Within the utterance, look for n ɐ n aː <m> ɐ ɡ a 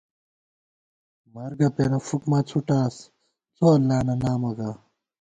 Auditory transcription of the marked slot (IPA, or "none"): m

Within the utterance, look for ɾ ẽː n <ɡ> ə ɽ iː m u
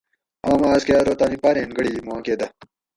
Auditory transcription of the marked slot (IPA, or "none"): ɡ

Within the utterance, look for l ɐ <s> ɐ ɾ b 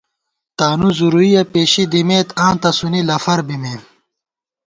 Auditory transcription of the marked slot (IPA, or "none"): f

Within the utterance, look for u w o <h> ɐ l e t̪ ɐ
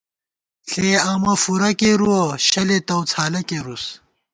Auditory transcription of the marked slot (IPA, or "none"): ɕ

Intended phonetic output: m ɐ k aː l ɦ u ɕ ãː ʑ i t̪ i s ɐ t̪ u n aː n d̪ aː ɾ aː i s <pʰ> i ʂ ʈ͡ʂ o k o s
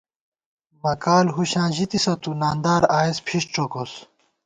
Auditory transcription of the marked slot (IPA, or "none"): pʰ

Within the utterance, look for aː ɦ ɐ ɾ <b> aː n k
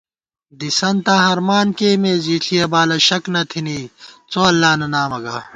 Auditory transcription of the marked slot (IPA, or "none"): m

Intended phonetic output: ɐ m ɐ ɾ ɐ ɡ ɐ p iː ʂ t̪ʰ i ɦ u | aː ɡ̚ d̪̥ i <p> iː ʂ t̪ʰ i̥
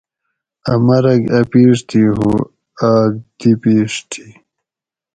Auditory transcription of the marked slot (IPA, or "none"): p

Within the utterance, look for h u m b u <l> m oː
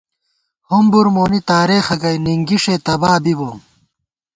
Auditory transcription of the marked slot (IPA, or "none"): ɾ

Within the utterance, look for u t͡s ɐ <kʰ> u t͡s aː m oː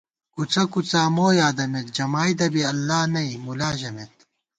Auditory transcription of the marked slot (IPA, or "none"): k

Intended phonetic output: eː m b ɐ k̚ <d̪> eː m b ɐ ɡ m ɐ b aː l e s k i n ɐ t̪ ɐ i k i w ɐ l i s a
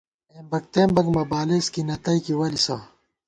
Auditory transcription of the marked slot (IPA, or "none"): t̪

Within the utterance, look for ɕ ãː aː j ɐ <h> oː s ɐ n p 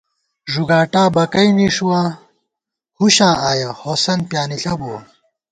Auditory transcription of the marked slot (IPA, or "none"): h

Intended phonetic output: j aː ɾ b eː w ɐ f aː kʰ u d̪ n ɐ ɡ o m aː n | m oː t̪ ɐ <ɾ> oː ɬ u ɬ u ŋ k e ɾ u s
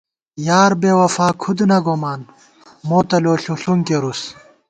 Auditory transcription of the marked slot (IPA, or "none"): l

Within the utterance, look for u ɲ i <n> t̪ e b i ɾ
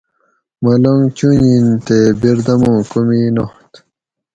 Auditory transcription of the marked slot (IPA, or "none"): n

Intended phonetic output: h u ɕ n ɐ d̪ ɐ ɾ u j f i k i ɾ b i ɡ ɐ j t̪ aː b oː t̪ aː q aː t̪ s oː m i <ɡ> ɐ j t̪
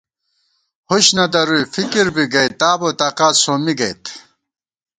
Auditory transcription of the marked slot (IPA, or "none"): ɡ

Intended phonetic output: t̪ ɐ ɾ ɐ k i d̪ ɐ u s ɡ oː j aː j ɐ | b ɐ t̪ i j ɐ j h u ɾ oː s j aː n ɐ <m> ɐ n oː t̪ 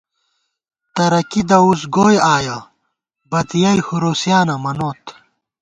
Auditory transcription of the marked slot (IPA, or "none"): m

